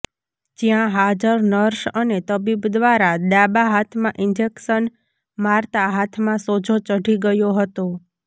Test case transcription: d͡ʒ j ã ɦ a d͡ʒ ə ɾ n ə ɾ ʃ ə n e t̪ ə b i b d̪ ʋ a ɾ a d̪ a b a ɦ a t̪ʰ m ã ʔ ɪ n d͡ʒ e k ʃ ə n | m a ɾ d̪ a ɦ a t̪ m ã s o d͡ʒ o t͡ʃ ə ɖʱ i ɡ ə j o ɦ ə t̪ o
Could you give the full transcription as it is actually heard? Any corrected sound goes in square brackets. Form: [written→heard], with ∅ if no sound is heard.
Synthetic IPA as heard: d͡ʒ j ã ɦ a d͡ʒ ə ɾ n ə ɾ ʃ ə n e t̪ ə b i b d̪ ʋ a ɾ a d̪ a b a ɦ a t̪ʰ m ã ʔ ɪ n d͡ʒ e k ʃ ə n | m a ɾ [d̪→t̪] a ɦ a [t̪→t̪ʰ] m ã s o d͡ʒ o t͡ʃ ə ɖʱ i ɡ ə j o ɦ ə t̪ o